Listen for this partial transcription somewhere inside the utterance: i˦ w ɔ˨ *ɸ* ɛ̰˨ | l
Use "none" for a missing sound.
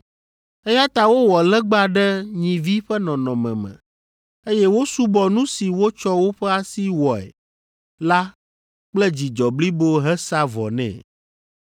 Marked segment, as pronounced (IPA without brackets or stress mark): none